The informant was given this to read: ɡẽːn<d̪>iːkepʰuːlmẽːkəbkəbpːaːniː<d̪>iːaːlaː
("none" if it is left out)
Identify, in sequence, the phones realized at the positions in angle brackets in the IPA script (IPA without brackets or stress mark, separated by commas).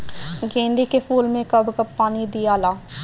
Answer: d̪, d̪